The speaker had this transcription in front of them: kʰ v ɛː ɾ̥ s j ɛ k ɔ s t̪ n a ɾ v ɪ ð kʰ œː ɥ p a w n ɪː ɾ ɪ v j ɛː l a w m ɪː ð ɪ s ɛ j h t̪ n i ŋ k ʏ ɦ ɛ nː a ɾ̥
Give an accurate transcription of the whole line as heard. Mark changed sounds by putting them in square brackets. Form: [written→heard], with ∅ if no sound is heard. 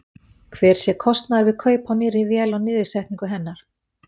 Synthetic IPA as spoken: kʰ v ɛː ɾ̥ s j ɛ [k→kʰ] ɔ s t̪ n a ɾ v ɪ ð kʰ œː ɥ p a w n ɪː ɾ ɪ v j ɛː l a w [m→n] ɪː ð ɪ s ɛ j h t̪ n i ŋ k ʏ ɦ ɛ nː a ɾ̥

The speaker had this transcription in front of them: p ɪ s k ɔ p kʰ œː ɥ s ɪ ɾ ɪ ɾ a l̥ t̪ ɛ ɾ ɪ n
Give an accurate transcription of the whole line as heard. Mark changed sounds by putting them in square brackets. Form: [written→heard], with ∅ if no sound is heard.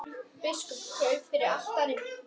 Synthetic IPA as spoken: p ɪ s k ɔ p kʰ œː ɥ [s→f] ɪ ɾ ɪ ɾ a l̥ t̪ [ɛ→a] ɾ ɪ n

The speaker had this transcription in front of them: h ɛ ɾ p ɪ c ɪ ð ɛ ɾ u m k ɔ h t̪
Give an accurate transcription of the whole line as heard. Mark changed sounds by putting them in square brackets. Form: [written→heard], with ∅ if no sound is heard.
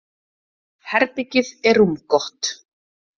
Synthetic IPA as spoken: h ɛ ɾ p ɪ c ɪ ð ɛ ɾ u m k ɔ h t̪

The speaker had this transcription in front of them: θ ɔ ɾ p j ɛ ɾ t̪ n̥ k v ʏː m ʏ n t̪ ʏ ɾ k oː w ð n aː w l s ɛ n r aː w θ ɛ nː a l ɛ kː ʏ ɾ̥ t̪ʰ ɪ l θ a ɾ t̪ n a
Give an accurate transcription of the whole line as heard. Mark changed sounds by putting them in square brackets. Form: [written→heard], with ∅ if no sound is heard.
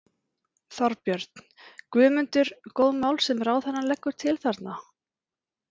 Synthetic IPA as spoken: θ ɔ ɾ p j [ɛ→œ] ɾ t̪ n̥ k v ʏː m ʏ n t̪ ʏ ɾ k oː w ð [n→m] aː w l s ɛ [n→m] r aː w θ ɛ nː a l ɛ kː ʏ ɾ̥ t̪ʰ ɪ l θ a ɾ t̪ n a

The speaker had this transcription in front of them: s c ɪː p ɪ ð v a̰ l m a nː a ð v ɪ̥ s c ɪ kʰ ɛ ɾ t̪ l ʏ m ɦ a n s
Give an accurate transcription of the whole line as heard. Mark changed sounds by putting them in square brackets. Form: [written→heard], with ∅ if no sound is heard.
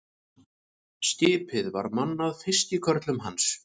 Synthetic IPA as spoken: s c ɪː p ɪ ð v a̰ [l→ɾ] m a nː a ð [v→f] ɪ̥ s c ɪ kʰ [ɛ→œ] ɾ t̪ l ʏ m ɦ a n s

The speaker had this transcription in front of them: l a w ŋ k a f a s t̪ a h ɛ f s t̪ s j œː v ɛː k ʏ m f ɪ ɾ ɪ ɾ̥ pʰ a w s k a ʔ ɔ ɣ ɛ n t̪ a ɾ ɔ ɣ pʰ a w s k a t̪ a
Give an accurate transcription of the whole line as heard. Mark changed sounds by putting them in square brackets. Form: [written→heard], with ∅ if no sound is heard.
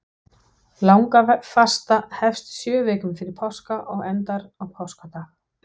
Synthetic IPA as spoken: l a w ŋ k a f a s t̪ a h ɛ f s t̪ s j œː v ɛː k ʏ m f ɪ ɾ ɪ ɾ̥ pʰ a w s k a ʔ ɔ ɣ ɛ n t̪ a ɾ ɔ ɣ pʰ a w s k a t̪ a

